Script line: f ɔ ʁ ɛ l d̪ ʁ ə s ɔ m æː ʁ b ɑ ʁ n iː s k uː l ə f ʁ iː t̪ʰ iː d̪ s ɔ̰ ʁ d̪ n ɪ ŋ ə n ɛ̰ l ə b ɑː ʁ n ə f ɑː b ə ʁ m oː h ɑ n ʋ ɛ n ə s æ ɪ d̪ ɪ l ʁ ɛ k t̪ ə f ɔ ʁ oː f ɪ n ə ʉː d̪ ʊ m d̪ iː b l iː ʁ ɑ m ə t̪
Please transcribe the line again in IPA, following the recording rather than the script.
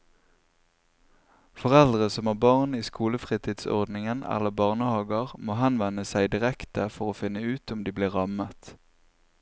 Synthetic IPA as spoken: f ɔ ʁ ɛ l d̪ ʁ ə s ɔ m æː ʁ b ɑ ʁ n iː s k uː l ə f ʁ iː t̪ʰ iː d̪ s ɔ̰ ʁ d̪ n ɪ ŋ ə n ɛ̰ l ə b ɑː ʁ n ə h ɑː ɡ ə ʁ m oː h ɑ n ʋ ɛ n ə s æ ɪ d̪ ɪ ʁ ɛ k t̪ ə f ɔ ʁ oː f ɪ n ə ʉː t̪ ʊ m d̪ iː b l iː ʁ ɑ m ə t̪